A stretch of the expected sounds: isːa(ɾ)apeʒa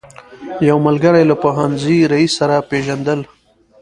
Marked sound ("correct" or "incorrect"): correct